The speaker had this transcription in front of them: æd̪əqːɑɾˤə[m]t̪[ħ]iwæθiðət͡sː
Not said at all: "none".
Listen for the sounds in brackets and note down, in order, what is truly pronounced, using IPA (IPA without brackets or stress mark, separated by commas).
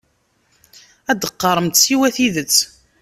m, s